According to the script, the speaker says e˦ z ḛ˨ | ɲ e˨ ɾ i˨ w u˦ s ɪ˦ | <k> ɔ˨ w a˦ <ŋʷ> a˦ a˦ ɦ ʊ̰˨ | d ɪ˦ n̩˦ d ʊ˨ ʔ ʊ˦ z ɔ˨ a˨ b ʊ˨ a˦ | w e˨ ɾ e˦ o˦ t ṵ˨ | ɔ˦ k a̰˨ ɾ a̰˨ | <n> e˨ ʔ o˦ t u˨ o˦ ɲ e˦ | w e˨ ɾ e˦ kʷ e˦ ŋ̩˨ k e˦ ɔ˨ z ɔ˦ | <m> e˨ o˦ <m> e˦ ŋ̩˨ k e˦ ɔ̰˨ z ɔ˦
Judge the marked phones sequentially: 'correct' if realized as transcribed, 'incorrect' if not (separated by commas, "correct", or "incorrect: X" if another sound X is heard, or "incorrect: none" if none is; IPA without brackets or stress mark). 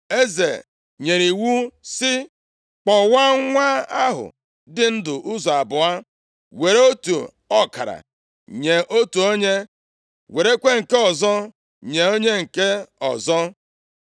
incorrect: k͡p, correct, incorrect: ɲ, incorrect: ɲ, incorrect: ɲ